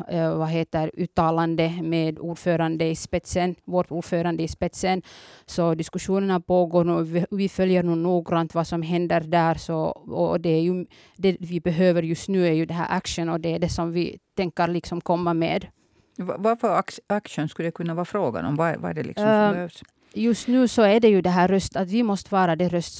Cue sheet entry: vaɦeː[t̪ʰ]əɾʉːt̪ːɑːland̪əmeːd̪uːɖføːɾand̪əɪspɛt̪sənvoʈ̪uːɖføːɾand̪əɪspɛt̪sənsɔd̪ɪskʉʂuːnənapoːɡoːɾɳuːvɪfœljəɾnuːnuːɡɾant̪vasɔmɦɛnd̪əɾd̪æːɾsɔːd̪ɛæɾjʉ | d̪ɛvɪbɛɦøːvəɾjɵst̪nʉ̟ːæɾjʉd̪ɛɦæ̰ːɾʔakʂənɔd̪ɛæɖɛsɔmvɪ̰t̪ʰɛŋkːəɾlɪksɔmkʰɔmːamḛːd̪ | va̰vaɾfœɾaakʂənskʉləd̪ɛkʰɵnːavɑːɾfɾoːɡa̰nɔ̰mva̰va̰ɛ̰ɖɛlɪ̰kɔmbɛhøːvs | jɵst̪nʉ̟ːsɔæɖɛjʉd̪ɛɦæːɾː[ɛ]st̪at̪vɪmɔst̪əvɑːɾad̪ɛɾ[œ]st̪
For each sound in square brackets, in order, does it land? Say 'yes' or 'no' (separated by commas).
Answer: no, no, yes